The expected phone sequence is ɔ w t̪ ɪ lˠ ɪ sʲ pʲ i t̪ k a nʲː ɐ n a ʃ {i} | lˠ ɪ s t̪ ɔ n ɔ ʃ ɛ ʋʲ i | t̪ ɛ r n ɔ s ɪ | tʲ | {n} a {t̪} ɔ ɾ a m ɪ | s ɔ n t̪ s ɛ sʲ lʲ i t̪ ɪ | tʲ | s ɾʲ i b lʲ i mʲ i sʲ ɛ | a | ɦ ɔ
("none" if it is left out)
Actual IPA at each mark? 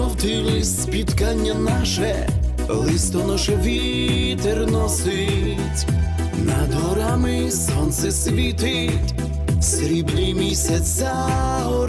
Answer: ɛ, n, d̪

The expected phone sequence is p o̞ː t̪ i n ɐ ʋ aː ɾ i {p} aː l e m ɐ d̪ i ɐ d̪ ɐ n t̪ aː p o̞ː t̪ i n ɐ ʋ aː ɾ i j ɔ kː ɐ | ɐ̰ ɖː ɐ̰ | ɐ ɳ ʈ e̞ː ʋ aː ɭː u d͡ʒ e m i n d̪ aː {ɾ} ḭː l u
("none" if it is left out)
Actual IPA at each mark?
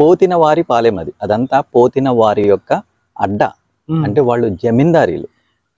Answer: p, ɾ

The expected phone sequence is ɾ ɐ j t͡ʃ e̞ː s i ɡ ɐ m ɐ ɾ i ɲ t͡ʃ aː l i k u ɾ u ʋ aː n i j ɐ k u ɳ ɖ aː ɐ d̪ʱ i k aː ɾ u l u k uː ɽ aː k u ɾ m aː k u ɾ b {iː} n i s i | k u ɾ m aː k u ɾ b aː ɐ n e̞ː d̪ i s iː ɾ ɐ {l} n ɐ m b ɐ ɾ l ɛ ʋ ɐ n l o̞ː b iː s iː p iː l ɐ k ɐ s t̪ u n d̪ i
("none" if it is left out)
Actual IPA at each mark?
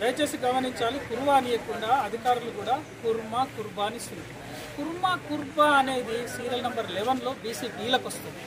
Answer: aː, l

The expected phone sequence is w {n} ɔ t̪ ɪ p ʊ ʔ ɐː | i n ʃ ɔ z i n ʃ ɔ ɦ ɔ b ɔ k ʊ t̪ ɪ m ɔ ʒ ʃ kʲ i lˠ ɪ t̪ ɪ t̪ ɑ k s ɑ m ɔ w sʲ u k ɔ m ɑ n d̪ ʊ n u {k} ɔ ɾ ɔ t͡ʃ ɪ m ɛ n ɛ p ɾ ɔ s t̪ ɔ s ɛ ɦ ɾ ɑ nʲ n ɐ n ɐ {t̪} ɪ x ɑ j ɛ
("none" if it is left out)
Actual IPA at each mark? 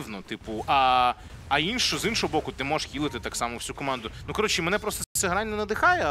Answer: n, k, d̪

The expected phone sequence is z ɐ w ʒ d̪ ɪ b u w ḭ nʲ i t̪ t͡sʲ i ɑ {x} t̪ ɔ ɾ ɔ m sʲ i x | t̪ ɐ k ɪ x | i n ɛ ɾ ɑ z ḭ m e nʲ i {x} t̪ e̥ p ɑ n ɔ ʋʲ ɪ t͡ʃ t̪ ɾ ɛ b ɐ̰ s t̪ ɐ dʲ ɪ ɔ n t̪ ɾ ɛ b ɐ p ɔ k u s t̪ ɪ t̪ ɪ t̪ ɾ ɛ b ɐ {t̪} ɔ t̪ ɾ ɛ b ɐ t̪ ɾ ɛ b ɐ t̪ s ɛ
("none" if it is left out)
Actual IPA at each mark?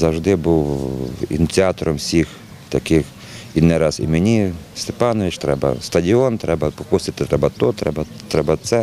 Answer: none, s, t̪

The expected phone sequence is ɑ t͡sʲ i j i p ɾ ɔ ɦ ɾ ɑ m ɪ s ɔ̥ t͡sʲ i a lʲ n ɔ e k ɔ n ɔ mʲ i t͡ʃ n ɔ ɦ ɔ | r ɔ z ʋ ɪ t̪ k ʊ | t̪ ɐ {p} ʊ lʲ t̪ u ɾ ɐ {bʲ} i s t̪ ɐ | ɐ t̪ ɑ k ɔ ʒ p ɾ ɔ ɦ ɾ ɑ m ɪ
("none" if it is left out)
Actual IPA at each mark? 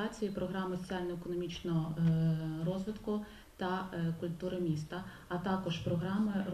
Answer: k, mʲ

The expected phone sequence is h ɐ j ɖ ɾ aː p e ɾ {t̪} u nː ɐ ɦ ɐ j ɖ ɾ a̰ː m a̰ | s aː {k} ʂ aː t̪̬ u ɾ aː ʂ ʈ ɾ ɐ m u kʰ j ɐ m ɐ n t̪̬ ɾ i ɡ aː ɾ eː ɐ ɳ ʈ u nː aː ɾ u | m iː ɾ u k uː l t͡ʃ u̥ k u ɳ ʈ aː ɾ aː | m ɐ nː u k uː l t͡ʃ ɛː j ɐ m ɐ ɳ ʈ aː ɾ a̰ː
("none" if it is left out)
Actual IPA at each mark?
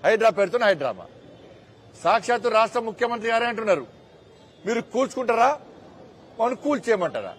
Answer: t̪, k

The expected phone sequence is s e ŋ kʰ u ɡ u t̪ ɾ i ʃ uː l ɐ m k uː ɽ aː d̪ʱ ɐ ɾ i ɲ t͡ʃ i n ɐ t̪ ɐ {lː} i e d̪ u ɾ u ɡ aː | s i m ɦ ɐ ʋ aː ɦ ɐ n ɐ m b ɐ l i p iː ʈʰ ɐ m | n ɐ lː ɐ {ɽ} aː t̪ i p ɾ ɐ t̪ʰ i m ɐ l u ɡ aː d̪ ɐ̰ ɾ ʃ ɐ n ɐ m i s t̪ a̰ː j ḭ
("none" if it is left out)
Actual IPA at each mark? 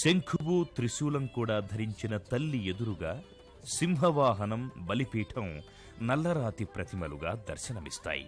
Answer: lː, ɾ

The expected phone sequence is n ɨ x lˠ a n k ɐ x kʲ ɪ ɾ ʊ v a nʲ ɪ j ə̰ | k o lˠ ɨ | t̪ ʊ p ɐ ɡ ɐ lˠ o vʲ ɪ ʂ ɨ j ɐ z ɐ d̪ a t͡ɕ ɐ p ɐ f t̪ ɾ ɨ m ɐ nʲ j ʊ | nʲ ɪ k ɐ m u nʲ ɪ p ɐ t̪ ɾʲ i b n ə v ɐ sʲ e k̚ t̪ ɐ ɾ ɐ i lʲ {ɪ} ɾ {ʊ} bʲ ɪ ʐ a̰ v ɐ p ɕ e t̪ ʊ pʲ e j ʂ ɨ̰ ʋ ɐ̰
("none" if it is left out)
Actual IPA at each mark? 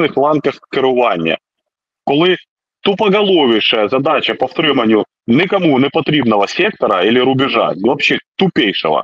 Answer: ɪ, ʊ

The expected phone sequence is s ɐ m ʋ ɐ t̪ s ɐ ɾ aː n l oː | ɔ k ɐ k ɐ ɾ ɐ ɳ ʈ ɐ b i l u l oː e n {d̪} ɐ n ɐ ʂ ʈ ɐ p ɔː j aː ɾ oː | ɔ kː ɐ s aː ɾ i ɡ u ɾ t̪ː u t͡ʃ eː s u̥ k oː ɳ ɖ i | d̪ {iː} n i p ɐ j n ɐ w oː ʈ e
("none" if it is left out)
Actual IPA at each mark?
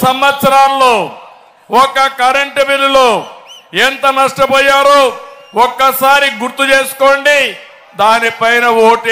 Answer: t̪, aː

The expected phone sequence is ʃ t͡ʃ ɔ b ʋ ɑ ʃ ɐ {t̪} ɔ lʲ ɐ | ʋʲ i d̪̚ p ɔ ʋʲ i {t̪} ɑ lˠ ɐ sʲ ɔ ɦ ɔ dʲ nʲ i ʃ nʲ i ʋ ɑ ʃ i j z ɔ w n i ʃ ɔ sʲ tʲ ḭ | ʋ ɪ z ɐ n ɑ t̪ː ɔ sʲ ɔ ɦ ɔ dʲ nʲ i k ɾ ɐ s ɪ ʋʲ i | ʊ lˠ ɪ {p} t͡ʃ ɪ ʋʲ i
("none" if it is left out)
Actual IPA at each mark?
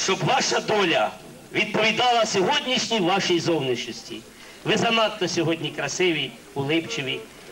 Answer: d̪, d̪, p

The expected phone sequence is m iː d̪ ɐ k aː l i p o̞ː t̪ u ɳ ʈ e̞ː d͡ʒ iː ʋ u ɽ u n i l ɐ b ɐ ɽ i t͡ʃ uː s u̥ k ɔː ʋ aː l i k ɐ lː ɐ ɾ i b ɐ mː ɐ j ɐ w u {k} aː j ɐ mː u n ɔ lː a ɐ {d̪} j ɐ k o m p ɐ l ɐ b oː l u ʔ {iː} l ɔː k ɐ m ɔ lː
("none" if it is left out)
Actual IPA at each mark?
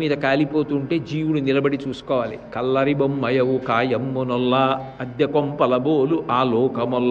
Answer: k, d̪, aː

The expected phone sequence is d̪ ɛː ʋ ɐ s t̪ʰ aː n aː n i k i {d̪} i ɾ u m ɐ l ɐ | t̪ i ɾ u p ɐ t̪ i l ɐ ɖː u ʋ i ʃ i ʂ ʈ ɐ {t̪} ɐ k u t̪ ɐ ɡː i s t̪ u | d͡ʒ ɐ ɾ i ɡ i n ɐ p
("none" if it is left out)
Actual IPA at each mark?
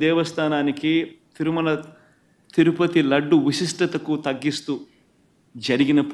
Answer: t̪, t̪

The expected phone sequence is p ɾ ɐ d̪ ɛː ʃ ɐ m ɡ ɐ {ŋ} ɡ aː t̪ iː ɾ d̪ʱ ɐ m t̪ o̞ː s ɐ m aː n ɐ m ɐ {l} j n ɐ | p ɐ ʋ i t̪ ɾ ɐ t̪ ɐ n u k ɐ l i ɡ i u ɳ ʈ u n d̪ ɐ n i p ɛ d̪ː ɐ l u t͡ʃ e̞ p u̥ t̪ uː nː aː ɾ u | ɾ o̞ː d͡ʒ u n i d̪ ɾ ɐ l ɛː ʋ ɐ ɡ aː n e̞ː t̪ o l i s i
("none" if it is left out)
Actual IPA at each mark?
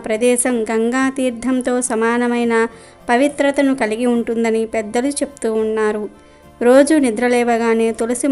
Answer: ŋ, none

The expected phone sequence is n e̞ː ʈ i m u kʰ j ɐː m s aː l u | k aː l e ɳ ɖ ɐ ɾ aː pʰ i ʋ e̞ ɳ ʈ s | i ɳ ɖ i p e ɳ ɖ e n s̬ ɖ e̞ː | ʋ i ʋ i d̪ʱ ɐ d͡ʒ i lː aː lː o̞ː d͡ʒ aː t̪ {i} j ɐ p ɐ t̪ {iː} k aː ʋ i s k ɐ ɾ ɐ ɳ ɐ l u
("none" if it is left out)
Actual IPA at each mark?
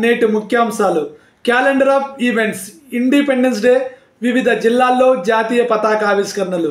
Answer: iː, aː

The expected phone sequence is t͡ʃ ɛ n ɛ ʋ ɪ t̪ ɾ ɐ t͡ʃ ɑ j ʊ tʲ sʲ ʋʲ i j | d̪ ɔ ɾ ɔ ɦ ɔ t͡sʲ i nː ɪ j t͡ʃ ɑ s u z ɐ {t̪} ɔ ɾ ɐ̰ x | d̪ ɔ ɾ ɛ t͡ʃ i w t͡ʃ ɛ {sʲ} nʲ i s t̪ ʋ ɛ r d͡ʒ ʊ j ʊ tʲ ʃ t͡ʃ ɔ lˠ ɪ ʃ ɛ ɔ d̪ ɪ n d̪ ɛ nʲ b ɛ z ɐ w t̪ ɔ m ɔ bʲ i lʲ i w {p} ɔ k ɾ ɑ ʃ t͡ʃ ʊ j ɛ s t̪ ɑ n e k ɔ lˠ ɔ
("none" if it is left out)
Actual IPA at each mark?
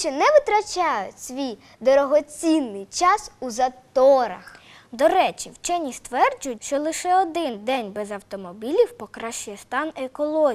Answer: t̪, none, p

